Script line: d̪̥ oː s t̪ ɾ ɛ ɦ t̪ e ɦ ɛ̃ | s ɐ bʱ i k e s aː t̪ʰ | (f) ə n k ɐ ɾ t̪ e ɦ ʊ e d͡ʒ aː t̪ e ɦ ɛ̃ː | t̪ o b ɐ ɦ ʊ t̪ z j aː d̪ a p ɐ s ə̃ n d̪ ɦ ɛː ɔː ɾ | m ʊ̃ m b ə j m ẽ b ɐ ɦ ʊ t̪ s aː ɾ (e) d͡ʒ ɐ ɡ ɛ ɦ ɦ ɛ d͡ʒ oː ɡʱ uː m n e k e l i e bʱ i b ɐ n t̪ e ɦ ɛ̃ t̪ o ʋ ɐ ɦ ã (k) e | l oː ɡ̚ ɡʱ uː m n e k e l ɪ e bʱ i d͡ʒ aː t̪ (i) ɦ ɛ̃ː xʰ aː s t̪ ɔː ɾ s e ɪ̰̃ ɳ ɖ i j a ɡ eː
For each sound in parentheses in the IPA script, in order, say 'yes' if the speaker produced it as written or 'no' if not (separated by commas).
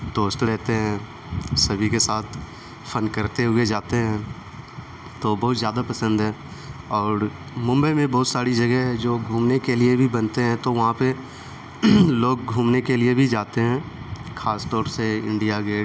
yes, no, no, no